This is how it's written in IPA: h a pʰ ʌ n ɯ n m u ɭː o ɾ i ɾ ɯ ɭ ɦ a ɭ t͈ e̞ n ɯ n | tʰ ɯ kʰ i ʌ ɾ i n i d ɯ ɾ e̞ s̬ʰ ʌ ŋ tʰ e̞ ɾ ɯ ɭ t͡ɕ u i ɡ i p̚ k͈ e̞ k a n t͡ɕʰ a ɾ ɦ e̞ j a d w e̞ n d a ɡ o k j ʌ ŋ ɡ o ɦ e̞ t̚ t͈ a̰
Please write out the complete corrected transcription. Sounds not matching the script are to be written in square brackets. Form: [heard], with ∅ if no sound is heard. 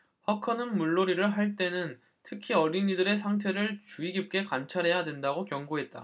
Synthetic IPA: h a [kʰ] ʌ n ɯ n m u ɭː o ɾ i ɾ ɯ ɭ ɦ a ɭ t͈ e̞ n ɯ n | tʰ ɯ kʰ i ʌ ɾ i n i d ɯ ɾ e̞ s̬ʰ [a] ŋ tʰ e̞ ɾ ɯ ɭ t͡ɕ u i ɡ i p̚ k͈ e̞ k a n t͡ɕʰ a ɾ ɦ e̞ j a d w e̞ n d a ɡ o k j ʌ ŋ ɡ o ɦ e̞ t̚ t͈ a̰